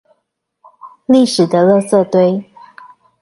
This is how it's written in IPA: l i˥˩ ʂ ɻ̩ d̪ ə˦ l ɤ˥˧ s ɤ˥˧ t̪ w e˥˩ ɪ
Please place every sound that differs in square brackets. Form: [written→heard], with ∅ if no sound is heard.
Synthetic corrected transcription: l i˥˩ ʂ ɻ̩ d̪ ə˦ l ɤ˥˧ s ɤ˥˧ t̪ w [e˥˩→e˥] ɪ